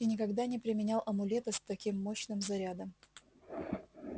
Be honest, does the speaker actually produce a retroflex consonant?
no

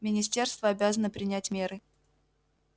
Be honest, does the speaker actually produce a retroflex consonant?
no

